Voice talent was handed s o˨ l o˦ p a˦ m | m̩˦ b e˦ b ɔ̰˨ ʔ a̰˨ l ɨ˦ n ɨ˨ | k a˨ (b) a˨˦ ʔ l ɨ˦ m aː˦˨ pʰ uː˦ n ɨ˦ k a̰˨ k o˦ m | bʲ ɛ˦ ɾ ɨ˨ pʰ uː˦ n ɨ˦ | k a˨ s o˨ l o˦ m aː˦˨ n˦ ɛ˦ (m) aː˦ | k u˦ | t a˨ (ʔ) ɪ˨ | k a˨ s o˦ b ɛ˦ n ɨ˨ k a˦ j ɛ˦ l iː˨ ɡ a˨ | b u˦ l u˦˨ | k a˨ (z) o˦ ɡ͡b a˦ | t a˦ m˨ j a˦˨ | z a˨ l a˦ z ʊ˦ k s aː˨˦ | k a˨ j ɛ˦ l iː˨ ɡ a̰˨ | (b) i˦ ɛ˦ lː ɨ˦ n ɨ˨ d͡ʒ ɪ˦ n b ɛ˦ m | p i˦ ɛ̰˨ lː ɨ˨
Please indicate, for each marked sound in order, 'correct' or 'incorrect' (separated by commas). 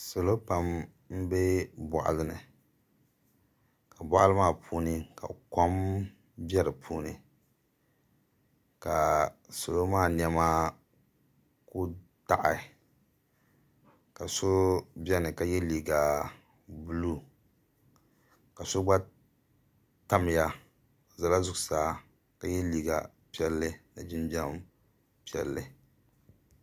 correct, correct, correct, incorrect, incorrect